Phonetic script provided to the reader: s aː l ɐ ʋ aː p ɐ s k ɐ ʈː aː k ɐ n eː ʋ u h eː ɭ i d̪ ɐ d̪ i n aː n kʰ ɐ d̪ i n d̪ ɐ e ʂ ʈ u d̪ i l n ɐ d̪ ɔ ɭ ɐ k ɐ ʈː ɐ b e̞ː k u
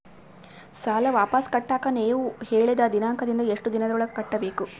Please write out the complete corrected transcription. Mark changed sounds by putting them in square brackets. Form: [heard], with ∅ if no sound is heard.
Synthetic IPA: s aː l ɐ ʋ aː p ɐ s k ɐ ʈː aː k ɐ n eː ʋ u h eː ɭ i d̪ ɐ d̪ i n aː [ŋ] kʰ ɐ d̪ i n d̪ ɐ e ʂ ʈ u d̪ i [∅] n ɐ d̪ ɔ ɭ ɐ k ɐ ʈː ɐ b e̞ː k u

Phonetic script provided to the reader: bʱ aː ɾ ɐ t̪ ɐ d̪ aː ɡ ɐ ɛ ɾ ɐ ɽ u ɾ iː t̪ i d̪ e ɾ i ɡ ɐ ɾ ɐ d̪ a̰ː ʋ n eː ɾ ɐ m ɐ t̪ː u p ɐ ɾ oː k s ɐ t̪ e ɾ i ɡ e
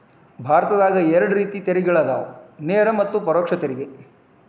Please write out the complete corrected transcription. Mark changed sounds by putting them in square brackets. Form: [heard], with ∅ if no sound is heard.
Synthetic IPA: bʱ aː ɾ ɐ t̪ ɐ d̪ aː ɡ ɐ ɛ ɾ ɐ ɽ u ɾ iː t̪ i [t̪] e ɾ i ɡ ɐ [ɭ] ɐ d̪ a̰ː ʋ n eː ɾ ɐ m ɐ t̪ː u p ɐ ɾ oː k [ʂ] ɐ t̪ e ɾ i ɡ e

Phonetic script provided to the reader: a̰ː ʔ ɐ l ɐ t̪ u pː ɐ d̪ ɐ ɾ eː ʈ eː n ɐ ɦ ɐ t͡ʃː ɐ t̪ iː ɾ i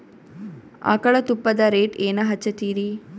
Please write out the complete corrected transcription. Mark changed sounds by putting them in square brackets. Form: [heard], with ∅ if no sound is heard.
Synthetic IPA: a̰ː [k] ɐ [ɭ] ɐ t̪ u pː ɐ d̪ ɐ ɾ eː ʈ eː n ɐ ɦ ɐ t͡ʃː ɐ t̪ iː ɾ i

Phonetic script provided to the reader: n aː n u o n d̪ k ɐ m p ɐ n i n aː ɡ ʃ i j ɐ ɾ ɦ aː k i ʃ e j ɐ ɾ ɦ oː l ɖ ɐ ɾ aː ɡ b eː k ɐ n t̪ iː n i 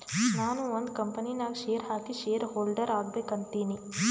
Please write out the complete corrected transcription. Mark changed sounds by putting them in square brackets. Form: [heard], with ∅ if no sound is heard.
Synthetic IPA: n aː n u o n d̪ k ɐ m p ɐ n i n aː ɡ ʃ [e] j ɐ ɾ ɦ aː k i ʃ e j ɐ ɾ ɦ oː l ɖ ɐ ɾ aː ɡ b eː k ɐ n t̪ iː n i

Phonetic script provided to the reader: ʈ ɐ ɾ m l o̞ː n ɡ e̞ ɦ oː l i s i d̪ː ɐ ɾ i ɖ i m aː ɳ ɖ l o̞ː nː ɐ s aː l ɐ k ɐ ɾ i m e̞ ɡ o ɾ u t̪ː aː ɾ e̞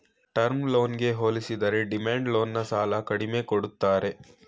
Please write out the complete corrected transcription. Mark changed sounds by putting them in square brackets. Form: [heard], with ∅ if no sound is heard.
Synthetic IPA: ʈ ɐ ɾ m l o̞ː n ɡ e̞ ɦ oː l i s i [d̪] ɐ ɾ [e] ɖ i m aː ɳ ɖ l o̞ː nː ɐ s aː l ɐ k ɐ [ɽ] i m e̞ [k] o [ɽ] u t̪ː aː ɾ e̞

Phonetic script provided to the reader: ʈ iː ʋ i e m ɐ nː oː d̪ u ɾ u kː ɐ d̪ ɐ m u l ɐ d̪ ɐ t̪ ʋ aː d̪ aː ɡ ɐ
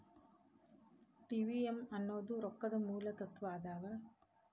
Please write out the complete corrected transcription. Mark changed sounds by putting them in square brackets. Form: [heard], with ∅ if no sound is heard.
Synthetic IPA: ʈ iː ʋ i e m ɐ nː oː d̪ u ɾ [ɔ] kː ɐ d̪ ɐ m [uː] l ɐ [t̪] ɐ t̪ ʋ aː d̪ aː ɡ ɐ

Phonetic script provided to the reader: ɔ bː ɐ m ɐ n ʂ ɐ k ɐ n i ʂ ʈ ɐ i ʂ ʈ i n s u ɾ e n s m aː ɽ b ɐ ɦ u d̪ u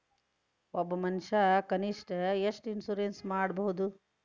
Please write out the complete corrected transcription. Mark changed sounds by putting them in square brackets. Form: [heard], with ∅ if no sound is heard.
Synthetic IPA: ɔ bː ɐ m ɐ n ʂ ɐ k ɐ n i ʂ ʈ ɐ [e] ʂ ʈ i n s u ɾ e n s m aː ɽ b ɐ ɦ u d̪ u

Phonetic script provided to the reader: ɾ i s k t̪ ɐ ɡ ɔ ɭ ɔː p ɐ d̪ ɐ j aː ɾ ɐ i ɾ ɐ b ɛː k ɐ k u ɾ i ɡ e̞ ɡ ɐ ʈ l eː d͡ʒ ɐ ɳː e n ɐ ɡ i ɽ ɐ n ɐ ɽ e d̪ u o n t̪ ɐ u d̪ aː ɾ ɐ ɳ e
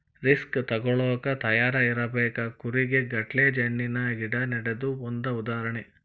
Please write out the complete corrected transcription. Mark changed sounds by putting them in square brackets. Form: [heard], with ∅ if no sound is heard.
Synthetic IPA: ɾ i s k t̪ ɐ ɡ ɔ ɭ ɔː [k] ɐ [t̪] ɐ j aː ɾ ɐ i ɾ ɐ b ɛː k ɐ k u ɾ i ɡ e̞ ɡ ɐ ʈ l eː d͡ʒ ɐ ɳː [i] n ɐ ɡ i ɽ ɐ n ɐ ɽ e d̪ u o n [d̪] ɐ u d̪ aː ɾ ɐ ɳ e

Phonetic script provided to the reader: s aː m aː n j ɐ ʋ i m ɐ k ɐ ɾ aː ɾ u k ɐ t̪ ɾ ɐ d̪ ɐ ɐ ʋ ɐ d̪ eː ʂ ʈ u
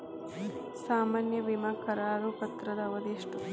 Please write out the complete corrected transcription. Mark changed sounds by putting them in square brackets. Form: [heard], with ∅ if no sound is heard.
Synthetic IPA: s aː m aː n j ɐ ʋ i m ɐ k ɐ ɾ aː ɾ u [p] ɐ t̪ ɾ ɐ d̪ ɐ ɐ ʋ ɐ d̪ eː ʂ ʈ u

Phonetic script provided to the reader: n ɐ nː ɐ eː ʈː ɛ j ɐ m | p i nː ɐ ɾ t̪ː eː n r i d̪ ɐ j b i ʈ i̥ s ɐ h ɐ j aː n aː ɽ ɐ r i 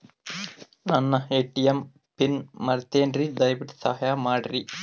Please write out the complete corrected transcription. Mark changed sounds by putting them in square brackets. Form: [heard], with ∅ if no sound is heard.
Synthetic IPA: n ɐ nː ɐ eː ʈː [i] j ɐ m | p i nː ɐ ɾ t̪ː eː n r i d̪ ɐ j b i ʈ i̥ s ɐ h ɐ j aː [m] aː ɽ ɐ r i

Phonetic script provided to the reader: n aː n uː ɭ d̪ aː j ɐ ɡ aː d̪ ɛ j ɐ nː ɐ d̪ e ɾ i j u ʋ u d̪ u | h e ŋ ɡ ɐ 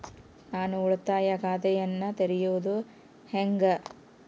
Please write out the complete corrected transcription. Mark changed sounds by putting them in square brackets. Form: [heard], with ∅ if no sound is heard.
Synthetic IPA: n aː n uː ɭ [t̪] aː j ɐ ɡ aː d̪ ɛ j ɐ nː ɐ [t̪] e ɾ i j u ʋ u d̪ u | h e ŋ ɡ ɐ

